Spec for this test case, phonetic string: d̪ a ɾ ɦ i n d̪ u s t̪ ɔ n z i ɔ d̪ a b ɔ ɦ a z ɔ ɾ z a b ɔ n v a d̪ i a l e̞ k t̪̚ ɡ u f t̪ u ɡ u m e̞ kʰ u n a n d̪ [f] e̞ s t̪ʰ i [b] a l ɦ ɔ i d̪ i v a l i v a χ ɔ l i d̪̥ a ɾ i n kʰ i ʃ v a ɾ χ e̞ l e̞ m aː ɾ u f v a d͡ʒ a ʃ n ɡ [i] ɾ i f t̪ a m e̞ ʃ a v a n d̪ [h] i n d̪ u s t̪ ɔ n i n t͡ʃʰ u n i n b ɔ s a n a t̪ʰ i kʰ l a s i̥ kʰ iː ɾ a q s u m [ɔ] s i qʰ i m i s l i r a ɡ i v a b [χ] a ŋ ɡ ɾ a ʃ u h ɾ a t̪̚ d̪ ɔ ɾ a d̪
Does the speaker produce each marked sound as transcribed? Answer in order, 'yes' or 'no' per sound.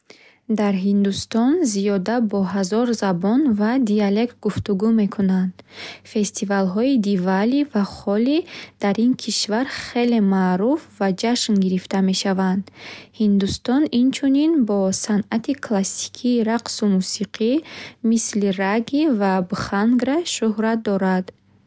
yes, no, yes, yes, no, yes

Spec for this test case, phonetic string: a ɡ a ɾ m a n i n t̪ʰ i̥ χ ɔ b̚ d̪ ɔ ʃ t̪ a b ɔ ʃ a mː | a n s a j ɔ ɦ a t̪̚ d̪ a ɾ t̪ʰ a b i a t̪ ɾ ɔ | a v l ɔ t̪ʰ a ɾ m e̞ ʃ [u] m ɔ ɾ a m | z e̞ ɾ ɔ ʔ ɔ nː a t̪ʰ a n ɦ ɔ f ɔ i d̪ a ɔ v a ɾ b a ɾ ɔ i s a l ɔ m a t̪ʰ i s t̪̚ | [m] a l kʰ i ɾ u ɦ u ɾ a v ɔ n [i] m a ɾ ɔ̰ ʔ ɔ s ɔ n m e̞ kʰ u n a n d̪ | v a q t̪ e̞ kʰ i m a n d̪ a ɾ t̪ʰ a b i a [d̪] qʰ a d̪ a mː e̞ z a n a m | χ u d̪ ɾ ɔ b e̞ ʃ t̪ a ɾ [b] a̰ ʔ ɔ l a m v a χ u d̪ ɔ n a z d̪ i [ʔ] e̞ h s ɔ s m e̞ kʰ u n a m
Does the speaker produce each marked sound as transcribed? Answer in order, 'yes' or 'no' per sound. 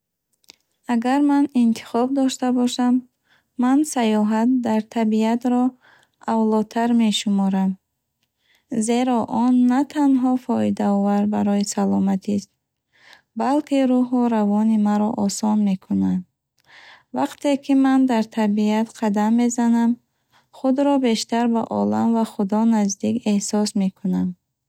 yes, no, yes, no, yes, no

